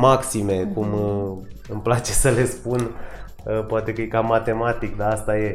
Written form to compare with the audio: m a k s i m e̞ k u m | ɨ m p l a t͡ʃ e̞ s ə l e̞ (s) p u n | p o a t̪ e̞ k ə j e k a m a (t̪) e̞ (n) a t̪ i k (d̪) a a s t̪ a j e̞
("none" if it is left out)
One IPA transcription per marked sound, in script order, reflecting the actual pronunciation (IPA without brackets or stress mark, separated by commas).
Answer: s, t̪, m, d̪